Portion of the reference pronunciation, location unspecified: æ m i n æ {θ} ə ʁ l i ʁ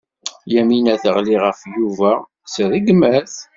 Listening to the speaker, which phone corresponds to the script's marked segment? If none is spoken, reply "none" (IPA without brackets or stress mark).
θ